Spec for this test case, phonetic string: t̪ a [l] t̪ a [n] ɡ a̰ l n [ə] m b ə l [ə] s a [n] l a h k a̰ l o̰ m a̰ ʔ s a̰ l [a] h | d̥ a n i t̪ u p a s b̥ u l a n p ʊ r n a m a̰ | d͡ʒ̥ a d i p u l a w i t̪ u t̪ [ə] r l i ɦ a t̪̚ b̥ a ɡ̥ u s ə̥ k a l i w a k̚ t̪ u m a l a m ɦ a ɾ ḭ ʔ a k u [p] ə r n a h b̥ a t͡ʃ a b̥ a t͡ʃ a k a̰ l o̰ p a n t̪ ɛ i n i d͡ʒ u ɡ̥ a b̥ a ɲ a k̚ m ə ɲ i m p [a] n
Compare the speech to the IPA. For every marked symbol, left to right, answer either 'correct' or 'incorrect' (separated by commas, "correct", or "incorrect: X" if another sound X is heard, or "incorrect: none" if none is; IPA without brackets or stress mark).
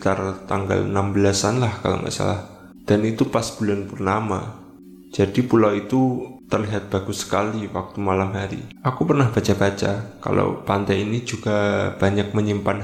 incorrect: r, incorrect: ŋ, incorrect: a, incorrect: a, correct, correct, correct, correct, correct